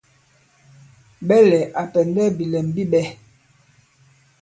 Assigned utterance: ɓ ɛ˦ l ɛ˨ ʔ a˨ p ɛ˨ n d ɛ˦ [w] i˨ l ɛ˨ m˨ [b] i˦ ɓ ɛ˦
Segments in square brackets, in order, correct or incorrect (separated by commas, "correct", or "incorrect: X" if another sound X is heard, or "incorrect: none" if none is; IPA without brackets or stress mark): incorrect: b, correct